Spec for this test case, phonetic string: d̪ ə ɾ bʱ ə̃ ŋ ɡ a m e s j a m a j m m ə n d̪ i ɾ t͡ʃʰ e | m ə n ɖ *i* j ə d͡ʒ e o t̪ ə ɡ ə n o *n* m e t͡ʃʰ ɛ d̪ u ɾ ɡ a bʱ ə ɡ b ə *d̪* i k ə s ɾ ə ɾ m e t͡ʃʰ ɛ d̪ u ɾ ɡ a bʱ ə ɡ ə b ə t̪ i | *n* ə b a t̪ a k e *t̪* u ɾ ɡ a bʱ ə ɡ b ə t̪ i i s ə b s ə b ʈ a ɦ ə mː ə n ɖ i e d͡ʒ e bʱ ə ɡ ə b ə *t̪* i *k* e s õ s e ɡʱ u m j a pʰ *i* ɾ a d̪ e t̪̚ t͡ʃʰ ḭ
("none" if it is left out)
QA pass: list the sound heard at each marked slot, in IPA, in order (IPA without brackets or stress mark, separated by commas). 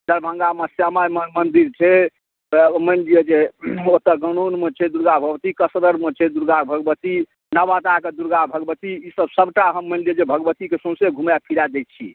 i, n, t̪, n, d̪, t̪, k, i